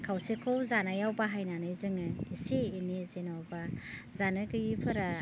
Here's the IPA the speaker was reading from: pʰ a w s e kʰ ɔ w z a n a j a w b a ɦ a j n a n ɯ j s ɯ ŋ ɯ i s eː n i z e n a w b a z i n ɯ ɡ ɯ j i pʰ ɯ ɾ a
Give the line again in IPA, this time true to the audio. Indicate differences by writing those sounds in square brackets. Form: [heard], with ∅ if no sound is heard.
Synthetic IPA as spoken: [kʰ] a w s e kʰ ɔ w z a n a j a w b a ɦ a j n a n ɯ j [z] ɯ ŋ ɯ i s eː n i z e n a w b a z [a] n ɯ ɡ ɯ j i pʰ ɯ ɾ a